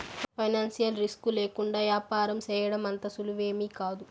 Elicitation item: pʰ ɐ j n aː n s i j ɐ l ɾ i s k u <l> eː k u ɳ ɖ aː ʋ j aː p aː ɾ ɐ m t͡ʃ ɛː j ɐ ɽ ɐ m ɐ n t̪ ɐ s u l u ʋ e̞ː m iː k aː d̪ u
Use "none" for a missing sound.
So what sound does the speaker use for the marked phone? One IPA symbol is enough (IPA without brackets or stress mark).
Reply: l